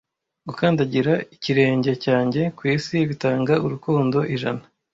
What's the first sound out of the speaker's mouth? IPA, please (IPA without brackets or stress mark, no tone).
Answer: ɡ